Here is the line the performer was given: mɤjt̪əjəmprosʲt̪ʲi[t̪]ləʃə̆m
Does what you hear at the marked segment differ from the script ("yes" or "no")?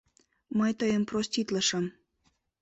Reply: no